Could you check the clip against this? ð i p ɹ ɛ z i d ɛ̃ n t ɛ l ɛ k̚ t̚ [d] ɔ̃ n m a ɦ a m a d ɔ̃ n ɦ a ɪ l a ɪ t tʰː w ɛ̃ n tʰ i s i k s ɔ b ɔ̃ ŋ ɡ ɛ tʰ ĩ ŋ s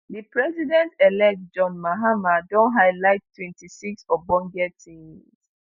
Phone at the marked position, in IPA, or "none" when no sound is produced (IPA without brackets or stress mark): d͡ʒ